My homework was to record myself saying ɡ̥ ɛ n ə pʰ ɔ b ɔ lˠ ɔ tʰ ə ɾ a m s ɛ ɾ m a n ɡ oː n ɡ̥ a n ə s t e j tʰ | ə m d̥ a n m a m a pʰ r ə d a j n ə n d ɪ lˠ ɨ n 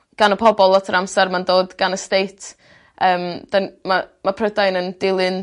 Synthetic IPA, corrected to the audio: ɡ̥ a n ə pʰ ɔ b ɔ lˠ ɔ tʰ ə ɾ a m s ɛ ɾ m a n d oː d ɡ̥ a n ə s t e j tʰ | əː m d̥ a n m a m a pʰ r ə d a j n ə n d ɪ lˠ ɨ n